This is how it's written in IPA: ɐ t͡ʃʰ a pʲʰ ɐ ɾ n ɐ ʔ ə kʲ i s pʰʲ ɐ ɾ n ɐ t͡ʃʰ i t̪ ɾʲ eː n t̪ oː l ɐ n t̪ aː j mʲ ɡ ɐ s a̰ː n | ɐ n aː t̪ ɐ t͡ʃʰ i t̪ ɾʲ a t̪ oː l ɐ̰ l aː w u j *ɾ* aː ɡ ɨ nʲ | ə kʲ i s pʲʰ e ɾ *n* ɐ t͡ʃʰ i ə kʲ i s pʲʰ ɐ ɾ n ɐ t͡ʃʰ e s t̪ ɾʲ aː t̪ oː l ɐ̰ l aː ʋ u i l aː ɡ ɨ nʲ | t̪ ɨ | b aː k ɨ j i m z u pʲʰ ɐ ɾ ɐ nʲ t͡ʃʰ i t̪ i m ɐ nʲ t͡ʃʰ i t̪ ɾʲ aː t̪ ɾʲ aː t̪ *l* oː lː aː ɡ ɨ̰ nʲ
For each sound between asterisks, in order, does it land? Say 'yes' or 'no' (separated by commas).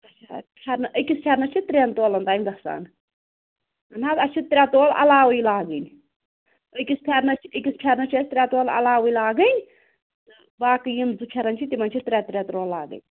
no, yes, no